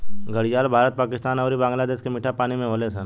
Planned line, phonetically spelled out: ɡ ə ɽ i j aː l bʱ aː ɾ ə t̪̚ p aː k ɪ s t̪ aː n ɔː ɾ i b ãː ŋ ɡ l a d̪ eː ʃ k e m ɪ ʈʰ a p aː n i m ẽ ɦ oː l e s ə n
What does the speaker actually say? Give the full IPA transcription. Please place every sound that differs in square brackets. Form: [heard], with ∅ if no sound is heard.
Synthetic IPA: ɡ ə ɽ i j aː l bʱ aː ɾ ə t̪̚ p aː k ɪ s t̪ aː n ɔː ɾ i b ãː ŋ ɡ l a d̪ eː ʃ k e m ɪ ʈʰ a p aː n i m ẽ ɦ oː l e s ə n